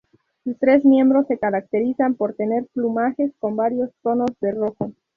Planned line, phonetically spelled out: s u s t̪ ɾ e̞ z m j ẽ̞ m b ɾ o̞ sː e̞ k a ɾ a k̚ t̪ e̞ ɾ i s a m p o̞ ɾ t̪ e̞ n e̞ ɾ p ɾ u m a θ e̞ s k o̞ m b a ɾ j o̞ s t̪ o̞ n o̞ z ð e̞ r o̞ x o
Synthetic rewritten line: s u s t̪ ɾ e̞ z m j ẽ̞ m b ɾ o̞ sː e̞ k a ɾ a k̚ t̪ e̞ ɾ i s a m p o̞ ɾ t̪ e̞ n e̞ ɾ p l u m a x e̞ s k o̞ m b a ɾ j o̞ s t̪ o̞ n o̞ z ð e̞ r o̞ x o